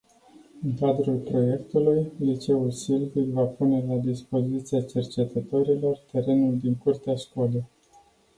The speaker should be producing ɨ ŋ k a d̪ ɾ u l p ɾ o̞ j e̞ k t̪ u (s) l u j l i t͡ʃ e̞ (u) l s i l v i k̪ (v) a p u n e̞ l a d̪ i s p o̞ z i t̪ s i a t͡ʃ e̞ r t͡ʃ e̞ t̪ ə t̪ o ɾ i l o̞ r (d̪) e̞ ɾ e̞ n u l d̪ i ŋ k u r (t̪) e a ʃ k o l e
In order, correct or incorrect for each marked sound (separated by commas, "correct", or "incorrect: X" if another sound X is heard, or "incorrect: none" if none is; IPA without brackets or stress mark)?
incorrect: none, correct, correct, incorrect: t̪, correct